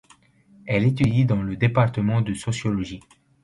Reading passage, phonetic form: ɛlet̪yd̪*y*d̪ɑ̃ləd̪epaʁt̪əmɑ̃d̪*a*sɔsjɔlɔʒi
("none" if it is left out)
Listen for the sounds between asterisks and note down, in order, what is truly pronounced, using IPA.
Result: i, ə

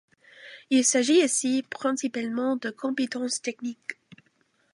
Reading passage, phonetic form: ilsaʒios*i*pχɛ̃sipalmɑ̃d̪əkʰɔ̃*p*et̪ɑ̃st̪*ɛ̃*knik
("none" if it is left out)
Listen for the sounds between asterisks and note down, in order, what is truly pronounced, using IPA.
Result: i, p, ɛ

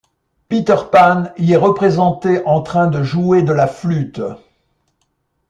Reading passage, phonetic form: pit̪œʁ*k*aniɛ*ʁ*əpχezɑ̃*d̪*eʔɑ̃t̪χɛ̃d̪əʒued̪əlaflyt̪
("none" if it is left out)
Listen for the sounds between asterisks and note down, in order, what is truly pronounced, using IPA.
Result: p, ʁ, t̪

